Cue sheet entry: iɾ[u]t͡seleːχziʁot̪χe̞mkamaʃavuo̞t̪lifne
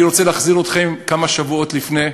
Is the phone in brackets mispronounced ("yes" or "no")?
yes